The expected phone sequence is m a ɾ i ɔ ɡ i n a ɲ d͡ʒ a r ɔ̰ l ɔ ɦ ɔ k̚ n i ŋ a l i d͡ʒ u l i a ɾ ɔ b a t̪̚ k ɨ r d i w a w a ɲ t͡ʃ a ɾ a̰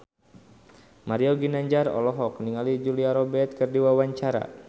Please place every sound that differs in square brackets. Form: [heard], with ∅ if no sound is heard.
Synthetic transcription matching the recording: m a ɾ i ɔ ɡ i n a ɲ d͡ʒ a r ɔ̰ l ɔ ɦ ɔ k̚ n i ŋ a l i d͡ʒ u l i a ɾ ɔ b [ɛ] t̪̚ k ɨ r d i w a w a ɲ t͡ʃ a ɾ a̰